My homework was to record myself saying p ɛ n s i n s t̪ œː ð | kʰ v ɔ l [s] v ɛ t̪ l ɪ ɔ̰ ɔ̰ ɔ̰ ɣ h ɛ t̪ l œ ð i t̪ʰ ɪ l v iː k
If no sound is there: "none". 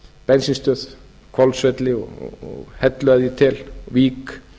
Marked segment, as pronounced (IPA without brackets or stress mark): s